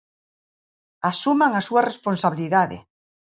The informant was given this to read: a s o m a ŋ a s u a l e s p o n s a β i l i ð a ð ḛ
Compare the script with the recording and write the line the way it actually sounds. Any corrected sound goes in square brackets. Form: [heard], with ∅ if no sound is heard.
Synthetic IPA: a s [u] m a ŋ a s u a [r] e s p o n s a β i l i ð a ð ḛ

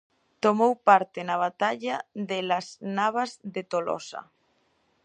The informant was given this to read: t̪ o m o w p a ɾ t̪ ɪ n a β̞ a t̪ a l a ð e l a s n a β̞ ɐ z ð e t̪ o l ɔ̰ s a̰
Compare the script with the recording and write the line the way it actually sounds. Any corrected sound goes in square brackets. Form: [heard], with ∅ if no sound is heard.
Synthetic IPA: t̪ o m o w p a ɾ t̪ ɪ n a β̞ a t̪ a [ʎ] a ð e l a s n a β̞ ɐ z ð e t̪ o l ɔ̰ s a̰

